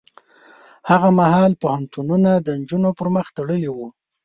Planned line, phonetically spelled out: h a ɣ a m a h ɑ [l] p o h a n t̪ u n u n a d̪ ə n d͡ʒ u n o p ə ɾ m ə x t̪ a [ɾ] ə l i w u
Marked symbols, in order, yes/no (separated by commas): yes, no